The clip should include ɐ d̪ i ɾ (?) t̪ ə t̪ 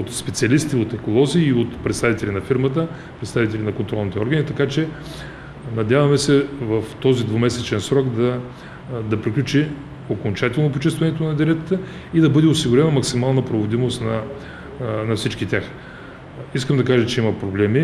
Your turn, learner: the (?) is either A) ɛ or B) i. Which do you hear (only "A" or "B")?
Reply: A